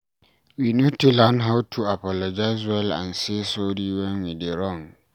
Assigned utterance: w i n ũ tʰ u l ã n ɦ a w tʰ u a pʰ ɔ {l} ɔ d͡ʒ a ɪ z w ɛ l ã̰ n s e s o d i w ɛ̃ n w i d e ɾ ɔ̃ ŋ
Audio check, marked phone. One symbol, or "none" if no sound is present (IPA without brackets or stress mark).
l